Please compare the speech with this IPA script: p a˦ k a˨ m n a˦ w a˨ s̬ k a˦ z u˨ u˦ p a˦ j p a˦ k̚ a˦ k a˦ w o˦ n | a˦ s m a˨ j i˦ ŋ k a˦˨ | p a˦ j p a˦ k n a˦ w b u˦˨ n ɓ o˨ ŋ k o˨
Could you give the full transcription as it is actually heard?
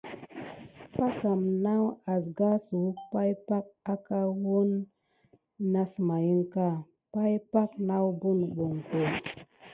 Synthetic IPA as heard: p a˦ k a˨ m n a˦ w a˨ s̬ ɡ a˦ s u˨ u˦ p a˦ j p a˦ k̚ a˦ k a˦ w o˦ n | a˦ s m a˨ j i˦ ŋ k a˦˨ | p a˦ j p a˦ k n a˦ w b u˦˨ n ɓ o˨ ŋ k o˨